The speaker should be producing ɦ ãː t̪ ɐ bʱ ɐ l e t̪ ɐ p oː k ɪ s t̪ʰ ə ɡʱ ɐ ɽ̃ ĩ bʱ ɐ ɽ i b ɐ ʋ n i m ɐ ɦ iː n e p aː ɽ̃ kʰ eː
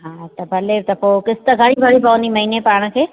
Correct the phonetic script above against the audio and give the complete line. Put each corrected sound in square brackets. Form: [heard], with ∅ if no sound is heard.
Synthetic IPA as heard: ɦ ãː t̪ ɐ bʱ ɐ l e t̪ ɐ p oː k ɪ s [t̪] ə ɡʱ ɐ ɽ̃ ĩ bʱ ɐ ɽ i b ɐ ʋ n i m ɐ ɦ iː n e p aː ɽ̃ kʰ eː